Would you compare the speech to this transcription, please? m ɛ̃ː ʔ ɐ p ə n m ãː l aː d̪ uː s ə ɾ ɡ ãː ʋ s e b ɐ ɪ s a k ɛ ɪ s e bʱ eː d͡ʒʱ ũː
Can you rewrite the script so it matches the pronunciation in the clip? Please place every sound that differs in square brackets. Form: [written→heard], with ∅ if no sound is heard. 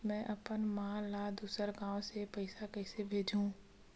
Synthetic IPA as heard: m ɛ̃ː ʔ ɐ p ə n m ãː l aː d̪ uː s ə ɾ ɡ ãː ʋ s e [b→p] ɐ ɪ s a k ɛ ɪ s e bʱ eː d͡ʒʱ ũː